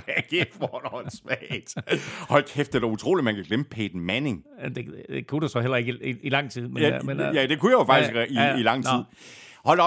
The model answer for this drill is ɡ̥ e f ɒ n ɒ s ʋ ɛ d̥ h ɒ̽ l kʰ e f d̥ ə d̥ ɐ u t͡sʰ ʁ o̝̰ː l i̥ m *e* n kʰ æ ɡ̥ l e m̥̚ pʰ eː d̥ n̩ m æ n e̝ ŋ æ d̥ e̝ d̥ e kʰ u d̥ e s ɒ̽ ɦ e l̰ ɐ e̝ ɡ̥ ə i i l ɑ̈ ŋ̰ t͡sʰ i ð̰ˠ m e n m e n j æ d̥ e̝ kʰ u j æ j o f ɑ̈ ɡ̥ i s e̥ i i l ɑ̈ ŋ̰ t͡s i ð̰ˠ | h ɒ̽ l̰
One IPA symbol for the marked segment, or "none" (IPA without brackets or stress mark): æ